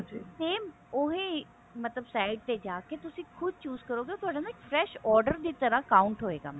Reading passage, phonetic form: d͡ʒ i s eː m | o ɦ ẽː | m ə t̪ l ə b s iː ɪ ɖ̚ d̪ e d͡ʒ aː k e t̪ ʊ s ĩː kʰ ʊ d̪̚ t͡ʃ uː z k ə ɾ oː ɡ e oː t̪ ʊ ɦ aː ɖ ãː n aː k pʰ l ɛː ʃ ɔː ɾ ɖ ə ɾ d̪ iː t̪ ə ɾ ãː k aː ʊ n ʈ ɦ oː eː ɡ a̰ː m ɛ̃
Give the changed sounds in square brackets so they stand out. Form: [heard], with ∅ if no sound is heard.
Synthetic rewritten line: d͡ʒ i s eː m | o ɦ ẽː | m ə t̪ l ə b s [aː] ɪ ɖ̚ [t̪] e d͡ʒ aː k e t̪ ʊ s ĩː kʰ ʊ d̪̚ t͡ʃ uː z k ə ɾ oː ɡ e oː t̪ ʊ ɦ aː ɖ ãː n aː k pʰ [ɾ] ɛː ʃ ɔː ɾ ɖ ə ɾ d̪ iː t̪ ə ɾ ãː k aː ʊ [ɳ] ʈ ɦ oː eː ɡ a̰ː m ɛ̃